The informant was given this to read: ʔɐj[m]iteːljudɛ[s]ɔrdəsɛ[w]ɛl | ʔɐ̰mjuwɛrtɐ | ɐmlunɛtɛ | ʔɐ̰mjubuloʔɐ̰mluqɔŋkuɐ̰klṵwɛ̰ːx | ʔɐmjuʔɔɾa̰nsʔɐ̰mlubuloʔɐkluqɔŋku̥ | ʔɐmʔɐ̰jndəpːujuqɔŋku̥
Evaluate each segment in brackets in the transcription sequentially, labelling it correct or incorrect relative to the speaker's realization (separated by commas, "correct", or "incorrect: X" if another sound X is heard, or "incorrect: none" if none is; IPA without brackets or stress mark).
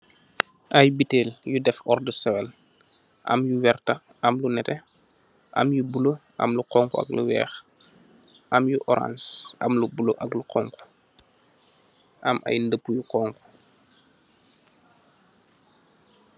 incorrect: b, incorrect: f, correct